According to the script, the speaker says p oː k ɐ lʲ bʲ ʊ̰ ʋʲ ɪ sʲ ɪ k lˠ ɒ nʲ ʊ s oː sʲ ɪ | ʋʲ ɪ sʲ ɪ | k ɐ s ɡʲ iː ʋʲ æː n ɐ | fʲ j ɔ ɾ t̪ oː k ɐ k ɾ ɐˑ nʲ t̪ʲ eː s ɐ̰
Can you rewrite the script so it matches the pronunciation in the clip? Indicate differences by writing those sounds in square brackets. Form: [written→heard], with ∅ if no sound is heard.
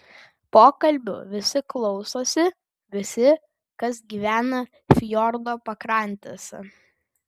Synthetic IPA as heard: p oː k ɐ lʲ bʲ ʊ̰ ʋʲ ɪ sʲ ɪ k lˠ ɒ [nʲ→∅] ʊ s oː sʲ ɪ | ʋʲ ɪ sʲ ɪ | k ɐ s ɡʲ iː ʋʲ æː n ɐ | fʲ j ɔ ɾ [t̪→d̪] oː [k→p] ɐ k ɾ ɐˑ nʲ t̪ʲ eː s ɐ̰